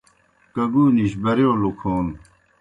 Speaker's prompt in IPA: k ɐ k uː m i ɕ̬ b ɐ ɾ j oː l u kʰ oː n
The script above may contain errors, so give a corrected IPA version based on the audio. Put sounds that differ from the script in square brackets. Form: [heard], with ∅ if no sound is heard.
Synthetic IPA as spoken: k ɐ [ɡ] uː [n] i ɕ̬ b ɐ ɾ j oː l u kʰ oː n